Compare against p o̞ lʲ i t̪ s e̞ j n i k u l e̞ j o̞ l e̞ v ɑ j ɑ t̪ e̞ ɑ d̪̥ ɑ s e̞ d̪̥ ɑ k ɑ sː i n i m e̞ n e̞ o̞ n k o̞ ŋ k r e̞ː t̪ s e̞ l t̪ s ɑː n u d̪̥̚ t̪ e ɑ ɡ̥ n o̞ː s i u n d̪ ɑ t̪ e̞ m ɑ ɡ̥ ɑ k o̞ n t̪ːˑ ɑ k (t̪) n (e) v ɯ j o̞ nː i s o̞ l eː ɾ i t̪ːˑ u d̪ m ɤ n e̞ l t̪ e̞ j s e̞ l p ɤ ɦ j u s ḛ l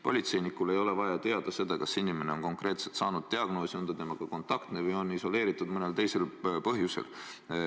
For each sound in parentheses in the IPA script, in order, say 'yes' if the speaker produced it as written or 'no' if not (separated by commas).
yes, yes